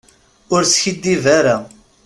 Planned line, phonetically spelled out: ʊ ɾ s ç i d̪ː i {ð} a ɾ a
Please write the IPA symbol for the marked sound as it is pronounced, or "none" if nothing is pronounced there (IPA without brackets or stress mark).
v